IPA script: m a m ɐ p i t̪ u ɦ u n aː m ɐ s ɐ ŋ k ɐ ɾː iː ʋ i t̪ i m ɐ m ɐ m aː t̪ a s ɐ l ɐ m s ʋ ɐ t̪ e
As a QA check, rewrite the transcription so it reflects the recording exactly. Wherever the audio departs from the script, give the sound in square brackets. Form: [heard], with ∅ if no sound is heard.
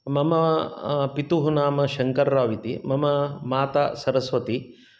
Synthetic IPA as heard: m [ɐ] m ɐ p i t̪ u ɦ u n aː m ɐ [ʃ] ɐ ŋ k ɐ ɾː [aː] ʋ i t̪ i m ɐ m ɐ m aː t̪ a s ɐ [ɾ] ɐ [∅] s ʋ ɐ t̪ [i]